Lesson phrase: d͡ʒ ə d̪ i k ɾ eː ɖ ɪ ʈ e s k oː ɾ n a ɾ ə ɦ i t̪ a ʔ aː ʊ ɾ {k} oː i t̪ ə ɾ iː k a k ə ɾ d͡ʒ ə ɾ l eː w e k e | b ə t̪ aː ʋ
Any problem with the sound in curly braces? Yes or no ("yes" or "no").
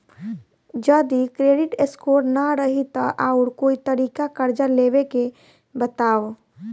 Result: no